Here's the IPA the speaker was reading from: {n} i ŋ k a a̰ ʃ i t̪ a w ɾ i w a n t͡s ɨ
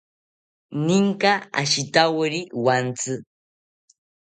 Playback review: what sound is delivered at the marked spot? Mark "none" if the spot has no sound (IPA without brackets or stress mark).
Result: n